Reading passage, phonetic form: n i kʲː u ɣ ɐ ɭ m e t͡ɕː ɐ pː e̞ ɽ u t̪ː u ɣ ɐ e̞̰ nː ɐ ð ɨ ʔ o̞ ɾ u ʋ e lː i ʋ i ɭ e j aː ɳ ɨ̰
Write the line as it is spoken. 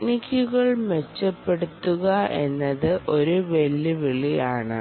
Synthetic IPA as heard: n i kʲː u ɣ ɐ ɭ m e t͡ɕː ɐ pː e̞ ɽ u t̪ː u ɣ ɐ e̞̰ nː ɐ ð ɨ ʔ o̞ ɾ u ʋ e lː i ʋ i ɭ i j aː ɳ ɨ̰